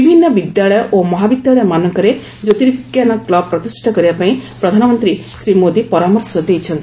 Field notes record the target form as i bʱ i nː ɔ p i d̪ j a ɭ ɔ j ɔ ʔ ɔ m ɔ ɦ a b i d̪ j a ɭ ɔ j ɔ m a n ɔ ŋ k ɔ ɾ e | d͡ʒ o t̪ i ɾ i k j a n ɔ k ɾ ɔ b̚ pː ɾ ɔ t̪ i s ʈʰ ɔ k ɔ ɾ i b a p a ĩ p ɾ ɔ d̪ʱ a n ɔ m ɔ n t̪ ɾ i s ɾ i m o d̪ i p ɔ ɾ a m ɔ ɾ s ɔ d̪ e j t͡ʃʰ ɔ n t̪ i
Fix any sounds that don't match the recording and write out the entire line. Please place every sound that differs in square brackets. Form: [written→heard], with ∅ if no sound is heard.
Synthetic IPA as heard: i bʱ i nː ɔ [p→b] i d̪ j a ɭ ɔ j ɔ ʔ [ɔ→o] m ɔ ɦ a b i d̪ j a ɭ ɔ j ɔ m a n ɔ ŋ k ɔ ɾ e | d͡ʒ o t̪ i ɾ i k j a n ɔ k [ɾ→l] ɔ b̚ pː ɾ ɔ t̪ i s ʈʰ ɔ k ɔ ɾ i b a p a ĩ p ɾ ɔ d̪ʱ a n ɔ m ɔ n t̪ ɾ i s ɾ i m o d̪ i p ɔ ɾ a m ɔ ɾ s ɔ d̪ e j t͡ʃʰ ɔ n t̪ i